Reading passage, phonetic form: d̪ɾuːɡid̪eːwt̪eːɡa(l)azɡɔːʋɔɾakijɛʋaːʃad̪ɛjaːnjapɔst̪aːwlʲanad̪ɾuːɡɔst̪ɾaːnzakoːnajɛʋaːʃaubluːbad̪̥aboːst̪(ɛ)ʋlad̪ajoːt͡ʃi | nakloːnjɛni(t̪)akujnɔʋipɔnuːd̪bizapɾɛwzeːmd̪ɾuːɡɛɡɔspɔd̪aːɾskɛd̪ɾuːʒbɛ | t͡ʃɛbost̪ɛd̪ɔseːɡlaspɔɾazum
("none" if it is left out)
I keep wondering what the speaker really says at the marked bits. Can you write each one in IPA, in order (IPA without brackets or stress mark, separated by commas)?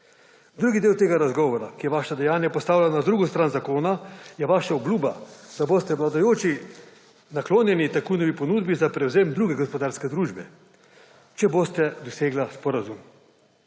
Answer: ɾ, ɛ, t̪